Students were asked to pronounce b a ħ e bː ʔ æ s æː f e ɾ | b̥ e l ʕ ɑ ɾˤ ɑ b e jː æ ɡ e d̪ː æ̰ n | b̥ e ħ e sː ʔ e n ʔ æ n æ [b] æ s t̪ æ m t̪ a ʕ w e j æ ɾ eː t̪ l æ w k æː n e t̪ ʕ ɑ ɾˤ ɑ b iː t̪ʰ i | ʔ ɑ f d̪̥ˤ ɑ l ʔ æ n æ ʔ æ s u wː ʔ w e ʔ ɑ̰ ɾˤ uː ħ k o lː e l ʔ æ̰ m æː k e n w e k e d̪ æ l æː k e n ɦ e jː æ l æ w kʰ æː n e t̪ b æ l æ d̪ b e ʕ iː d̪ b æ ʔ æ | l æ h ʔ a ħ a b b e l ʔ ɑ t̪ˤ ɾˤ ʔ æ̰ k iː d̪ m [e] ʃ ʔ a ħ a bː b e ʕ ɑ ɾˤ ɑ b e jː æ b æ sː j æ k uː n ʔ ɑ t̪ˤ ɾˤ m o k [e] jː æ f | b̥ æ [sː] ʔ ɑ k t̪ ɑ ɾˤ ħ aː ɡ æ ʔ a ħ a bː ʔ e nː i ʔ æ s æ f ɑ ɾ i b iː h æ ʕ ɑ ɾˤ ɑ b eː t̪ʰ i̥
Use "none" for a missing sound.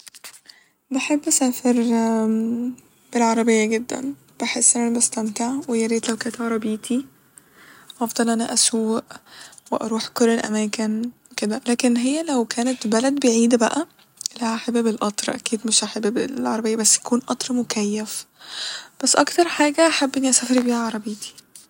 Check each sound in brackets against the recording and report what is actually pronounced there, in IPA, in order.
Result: b, e, æ, sː

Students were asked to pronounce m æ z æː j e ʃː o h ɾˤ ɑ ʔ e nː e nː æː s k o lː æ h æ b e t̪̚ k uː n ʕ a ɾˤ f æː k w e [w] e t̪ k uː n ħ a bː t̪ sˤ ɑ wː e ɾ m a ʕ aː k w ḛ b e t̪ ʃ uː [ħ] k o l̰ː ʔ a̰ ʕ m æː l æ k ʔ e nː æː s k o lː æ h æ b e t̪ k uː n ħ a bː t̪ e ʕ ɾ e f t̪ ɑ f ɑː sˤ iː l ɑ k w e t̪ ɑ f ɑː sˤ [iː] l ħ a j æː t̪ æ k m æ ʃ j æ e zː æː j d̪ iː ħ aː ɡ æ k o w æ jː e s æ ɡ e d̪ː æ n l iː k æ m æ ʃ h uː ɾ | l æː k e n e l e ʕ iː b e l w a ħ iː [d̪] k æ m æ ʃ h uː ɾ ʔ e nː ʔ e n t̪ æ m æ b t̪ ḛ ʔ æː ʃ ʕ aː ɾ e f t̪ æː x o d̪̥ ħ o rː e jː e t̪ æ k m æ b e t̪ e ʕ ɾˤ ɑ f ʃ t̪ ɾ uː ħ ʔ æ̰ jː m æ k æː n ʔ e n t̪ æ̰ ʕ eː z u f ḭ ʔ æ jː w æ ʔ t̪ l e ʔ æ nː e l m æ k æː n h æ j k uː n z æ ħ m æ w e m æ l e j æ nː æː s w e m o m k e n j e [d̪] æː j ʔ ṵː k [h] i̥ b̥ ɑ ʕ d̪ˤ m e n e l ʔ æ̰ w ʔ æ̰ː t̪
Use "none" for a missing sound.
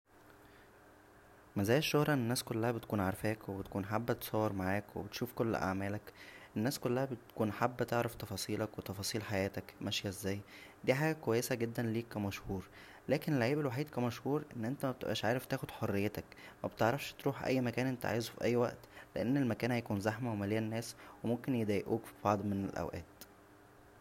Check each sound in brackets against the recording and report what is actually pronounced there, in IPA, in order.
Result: b, f, iː, d̪, d̪, f

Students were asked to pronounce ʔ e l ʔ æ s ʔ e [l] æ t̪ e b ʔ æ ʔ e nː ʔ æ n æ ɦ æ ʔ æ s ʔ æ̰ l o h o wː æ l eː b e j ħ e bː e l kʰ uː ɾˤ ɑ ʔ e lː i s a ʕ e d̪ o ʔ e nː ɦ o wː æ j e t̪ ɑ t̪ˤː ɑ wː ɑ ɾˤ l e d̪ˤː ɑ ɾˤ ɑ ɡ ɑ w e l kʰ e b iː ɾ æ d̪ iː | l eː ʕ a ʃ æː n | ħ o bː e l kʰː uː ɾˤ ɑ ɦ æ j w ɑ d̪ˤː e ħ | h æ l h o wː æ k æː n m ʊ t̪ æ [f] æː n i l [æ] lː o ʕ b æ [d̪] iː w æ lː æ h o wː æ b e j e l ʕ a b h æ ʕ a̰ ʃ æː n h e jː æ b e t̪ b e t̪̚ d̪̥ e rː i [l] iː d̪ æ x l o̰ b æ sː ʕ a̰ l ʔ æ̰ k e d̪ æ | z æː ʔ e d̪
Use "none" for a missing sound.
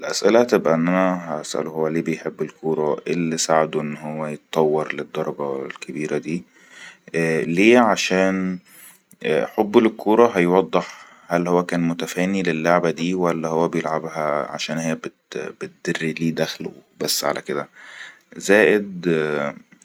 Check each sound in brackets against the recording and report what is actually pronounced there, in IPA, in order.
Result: l, f, e, d̪, l

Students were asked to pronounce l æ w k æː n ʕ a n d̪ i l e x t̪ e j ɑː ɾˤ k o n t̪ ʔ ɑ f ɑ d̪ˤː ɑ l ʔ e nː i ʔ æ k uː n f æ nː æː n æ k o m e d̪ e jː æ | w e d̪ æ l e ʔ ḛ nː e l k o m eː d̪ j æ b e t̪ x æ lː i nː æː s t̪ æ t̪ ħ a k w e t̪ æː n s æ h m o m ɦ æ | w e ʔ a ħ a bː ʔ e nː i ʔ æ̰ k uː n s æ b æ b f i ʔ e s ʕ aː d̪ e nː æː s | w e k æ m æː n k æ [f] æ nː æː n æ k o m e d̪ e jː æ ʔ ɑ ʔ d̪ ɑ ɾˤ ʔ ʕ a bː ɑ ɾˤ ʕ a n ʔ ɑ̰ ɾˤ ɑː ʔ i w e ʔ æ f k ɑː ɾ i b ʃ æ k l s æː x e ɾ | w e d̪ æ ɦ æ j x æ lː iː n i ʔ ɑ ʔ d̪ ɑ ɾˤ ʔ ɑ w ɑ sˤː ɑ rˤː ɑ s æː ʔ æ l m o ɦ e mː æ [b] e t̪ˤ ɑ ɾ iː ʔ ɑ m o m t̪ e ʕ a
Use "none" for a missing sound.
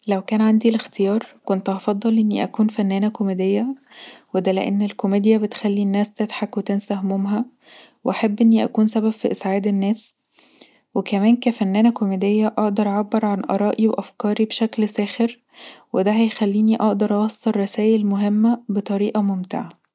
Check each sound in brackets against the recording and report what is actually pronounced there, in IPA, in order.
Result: f, b

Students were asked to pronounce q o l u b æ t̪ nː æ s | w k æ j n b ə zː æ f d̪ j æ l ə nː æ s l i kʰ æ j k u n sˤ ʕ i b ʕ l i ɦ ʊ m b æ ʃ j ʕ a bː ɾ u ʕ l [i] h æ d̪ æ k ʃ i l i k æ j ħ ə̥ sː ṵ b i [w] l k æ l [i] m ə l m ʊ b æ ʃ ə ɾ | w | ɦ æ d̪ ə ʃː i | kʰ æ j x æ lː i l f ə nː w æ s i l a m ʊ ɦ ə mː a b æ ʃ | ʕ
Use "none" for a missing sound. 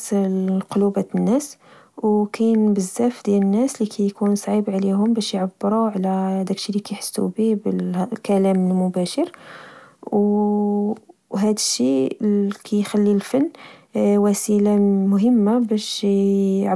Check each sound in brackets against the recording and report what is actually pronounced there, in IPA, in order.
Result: æ, b, æ

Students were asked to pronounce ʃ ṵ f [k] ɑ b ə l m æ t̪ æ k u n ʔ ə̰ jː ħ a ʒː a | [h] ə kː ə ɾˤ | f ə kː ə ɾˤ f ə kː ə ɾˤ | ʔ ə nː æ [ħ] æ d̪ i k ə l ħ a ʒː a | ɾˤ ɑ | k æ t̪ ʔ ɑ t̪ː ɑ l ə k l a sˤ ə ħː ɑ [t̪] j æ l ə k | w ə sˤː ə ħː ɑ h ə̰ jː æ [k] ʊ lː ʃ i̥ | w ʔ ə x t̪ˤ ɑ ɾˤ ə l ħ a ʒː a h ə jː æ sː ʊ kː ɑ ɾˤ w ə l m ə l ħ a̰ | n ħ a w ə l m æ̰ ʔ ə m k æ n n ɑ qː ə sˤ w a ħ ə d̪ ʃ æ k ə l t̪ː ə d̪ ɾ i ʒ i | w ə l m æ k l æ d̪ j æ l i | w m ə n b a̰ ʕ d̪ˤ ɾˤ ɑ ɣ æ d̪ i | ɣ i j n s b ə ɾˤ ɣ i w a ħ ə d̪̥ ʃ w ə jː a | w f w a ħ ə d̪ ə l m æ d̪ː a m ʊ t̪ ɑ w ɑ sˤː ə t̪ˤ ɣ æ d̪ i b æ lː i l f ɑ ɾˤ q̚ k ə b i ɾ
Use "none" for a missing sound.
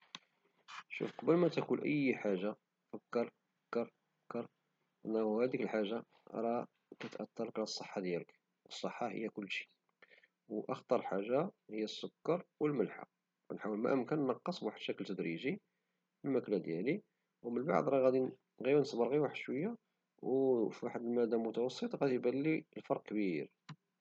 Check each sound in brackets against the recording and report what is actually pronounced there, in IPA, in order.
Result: q, f, h, d̪, k

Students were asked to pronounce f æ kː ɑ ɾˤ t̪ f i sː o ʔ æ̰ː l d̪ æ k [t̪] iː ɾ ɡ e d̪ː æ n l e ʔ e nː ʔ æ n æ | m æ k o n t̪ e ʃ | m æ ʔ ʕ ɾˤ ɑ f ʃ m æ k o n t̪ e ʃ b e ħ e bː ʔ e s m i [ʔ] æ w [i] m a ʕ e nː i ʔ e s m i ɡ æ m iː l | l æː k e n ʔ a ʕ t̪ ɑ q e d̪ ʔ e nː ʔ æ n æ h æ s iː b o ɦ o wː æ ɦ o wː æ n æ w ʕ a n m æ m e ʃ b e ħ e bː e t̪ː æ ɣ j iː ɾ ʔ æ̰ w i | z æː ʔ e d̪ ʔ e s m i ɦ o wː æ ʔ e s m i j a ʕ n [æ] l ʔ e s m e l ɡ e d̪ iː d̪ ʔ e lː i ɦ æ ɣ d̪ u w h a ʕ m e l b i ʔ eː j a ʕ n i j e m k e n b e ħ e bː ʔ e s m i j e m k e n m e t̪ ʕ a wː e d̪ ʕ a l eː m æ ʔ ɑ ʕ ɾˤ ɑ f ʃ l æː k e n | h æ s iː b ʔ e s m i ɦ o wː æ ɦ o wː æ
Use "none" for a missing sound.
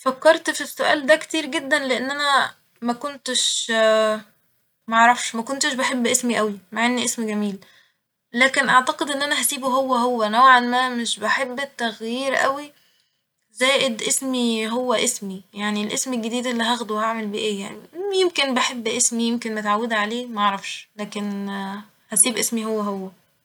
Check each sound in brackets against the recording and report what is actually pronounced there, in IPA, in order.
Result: t̪, ʔ, i, i

